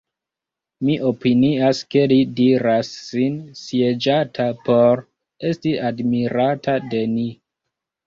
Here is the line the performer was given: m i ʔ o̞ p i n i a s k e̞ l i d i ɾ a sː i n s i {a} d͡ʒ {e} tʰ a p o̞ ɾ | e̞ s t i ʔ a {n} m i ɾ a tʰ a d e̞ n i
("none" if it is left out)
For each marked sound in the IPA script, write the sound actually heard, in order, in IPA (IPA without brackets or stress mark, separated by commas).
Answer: e, a, d